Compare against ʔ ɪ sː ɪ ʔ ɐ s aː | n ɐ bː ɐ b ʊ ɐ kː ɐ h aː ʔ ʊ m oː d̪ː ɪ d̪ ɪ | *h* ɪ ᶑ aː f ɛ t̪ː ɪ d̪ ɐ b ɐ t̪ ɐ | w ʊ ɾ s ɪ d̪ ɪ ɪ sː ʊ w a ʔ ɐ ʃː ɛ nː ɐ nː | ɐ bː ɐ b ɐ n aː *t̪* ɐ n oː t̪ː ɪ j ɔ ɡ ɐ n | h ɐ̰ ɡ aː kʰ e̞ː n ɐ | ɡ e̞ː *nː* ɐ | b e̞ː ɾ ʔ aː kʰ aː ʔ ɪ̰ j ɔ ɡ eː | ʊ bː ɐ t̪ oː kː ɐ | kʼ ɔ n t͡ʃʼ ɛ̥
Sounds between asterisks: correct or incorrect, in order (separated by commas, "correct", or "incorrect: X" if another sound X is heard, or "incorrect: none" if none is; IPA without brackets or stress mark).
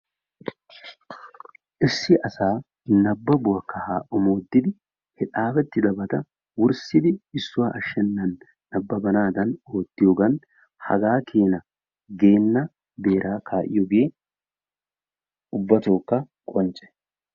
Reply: correct, incorrect: d̪, correct